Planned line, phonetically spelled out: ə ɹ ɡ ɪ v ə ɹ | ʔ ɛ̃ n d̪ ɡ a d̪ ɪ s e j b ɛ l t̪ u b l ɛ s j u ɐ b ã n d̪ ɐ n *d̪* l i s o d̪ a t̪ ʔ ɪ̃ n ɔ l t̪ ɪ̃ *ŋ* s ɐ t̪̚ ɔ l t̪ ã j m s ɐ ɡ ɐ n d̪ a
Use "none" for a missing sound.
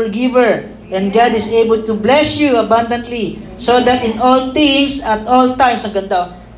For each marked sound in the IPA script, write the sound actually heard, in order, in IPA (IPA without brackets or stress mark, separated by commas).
t̪, ŋ